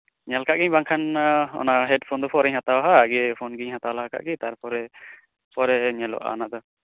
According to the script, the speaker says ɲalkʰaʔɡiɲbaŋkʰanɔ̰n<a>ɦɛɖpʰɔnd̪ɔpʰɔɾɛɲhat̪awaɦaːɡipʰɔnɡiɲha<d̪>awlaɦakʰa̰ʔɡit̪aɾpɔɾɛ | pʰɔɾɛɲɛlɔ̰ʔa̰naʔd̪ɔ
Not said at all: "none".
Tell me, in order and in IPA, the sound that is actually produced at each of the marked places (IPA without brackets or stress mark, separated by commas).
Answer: a, t̪